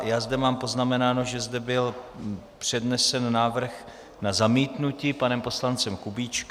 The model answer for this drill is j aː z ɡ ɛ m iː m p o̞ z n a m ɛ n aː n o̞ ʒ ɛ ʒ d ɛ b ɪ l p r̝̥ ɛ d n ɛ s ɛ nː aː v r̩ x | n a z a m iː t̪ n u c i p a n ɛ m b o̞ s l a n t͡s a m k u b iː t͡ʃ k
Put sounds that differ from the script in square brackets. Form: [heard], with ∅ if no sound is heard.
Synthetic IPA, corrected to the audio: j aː z [d] ɛ m [aː] m p o̞ z n a m ɛ n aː n o̞ ʒ ɛ [z] d ɛ b ɪ l p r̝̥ ɛ d n ɛ s ɛ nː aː v r̩ x | n a z a m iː t̪ n u c i p a n ɛ m [p] o̞ s l a n t͡s [ɛ] m k u b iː t͡ʃ k

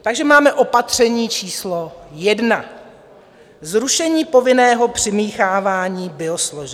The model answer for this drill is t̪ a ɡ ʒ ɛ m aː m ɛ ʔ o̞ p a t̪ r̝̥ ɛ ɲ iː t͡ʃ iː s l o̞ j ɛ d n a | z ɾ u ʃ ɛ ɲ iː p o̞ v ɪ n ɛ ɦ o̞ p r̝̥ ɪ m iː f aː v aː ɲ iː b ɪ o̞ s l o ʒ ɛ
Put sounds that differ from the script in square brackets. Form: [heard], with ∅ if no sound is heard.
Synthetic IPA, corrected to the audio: t̪ a ɡ ʒ ɛ m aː m ɛ ʔ o̞ p a t̪ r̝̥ ɛ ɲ iː t͡ʃ iː s l o̞ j ɛ d n a | z ɾ u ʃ ɛ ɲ iː p o̞ v ɪ n [ɛː] ɦ o̞ p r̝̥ ɪ m iː [x] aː v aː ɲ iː b ɪ o̞ s l o ʒ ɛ

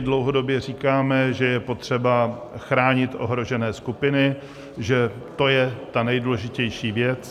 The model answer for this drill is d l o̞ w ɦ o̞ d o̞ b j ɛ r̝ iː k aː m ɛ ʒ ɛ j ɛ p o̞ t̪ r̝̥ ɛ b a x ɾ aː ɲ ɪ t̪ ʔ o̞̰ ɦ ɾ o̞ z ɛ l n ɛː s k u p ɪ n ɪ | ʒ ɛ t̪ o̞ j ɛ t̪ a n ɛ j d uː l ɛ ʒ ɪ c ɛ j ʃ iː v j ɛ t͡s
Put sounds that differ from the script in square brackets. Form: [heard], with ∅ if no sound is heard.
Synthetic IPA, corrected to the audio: d l o̞ w ɦ o̞ d o̞ b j ɛ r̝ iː k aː m ɛ ʒ ɛ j ɛ p o̞ t̪ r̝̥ ɛ b a x ɾ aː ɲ ɪ t̪ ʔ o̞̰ ɦ ɾ o̞ [ʒ] ɛ [∅] n ɛː s k u p ɪ n ɪ | ʒ ɛ t̪ o̞ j ɛ t̪ a n ɛ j d uː l ɛ ʒ ɪ c ɛ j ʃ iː v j ɛ t͡s

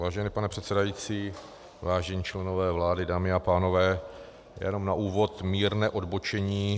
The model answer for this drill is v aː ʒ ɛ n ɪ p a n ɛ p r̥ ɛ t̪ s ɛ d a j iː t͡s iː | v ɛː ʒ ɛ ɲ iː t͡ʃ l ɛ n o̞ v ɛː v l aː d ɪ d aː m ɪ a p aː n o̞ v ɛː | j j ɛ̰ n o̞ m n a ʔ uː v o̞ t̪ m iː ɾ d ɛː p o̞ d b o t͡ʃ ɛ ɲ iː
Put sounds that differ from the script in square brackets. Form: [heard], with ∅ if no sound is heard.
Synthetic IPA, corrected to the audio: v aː ʒ ɛ n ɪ p a n ɛ p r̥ ɛ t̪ s ɛ d a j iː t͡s iː | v [aː] ʒ ɛ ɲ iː t͡ʃ l ɛ n o̞ v ɛː v l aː d ɪ d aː m ɪ a p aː n o̞ v ɛː | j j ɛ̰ n o̞ m n a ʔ uː v o̞ t̪ m iː ɾ [n] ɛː [ʔ] o̞ d b o t͡ʃ ɛ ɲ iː

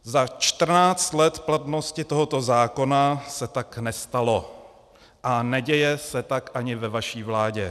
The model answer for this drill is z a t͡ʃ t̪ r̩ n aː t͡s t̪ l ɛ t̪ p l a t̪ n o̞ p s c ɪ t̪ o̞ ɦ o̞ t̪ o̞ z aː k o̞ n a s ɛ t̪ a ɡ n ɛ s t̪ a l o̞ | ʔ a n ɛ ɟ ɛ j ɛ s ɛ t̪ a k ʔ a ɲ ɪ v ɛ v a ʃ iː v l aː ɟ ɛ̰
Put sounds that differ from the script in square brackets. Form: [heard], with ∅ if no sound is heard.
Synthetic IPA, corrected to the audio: z a t͡ʃ t̪ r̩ n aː t͡s t̪ l ɛ t̪ p l a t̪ n o̞ [∅] s c ɪ t̪ o̞ ɦ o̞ t̪ o̞ z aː k o̞ n a s ɛ t̪ a [k] n ɛ s t̪ a l o̞ | ʔ a n ɛ ɟ ɛ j ɛ s ɛ t̪ a k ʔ a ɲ ɪ v ɛ v a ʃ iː v l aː ɟ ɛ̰

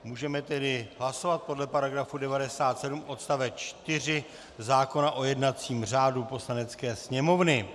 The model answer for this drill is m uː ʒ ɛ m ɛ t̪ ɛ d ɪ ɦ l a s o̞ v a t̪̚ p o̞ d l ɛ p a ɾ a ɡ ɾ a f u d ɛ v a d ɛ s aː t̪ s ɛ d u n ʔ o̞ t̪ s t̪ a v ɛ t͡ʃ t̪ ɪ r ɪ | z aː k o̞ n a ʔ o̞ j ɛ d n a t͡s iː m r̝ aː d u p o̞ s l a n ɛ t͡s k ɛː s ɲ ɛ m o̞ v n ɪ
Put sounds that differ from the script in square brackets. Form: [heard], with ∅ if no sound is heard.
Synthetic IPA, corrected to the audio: m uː ʒ ɛ m ɛ t̪ ɛ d ɪ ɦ l a s o̞ v a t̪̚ p o̞ d l ɛ p a ɾ a ɡ ɾ a f u d ɛ v a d ɛ s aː t̪ s ɛ d u [m] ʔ o̞ t̪ s t̪ a v ɛ t͡ʃ t̪ ɪ r ɪ | z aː k o̞ n a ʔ o̞ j ɛ d n a t͡s iː m r̝ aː d u p o̞ s l a n ɛ t͡s k ɛː s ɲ ɛ m o̞ v n ɪ

